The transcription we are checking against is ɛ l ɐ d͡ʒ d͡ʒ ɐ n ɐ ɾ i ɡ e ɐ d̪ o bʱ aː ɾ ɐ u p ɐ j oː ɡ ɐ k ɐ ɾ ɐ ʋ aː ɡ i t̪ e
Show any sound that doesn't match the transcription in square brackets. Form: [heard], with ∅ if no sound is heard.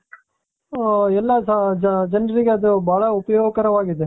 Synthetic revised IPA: ɛ [lː] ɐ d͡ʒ d͡ʒ ɐ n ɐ ɾ i ɡ e ɐ d̪ [u] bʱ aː [ɭ] ɐ u p ɐ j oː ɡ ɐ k ɐ ɾ ɐ ʋ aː ɡ i [d̪] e